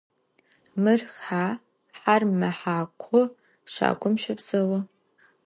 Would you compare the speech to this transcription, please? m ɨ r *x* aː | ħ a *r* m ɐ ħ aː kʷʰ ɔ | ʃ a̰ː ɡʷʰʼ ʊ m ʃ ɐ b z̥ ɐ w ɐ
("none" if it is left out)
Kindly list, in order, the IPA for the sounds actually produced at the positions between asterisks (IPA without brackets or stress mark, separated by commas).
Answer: x, r